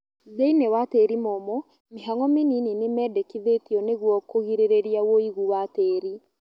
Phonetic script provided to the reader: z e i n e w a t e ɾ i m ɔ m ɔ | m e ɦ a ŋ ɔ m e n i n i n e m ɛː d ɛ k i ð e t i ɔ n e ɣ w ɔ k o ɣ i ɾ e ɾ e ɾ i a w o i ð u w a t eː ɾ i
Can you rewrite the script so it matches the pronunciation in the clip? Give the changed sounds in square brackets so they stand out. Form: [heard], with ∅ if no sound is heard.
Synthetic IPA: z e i n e w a t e ɾ i m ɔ m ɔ | m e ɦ a ŋ ɔ m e n i n i n e m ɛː d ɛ k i ð e t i ɔ n e ɣ w ɔ k o ɣ i ɾ e ɾ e ɾ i a w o i [ɣ] u w a t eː ɾ i